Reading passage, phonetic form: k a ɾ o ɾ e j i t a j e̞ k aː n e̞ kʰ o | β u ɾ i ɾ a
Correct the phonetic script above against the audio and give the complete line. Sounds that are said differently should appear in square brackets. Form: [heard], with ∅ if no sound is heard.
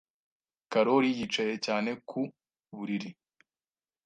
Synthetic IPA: k a ɾ o ɾ [i] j i [t͡ʃ] a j e̞ [c] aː n e̞ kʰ [u] | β u ɾ i ɾ [i]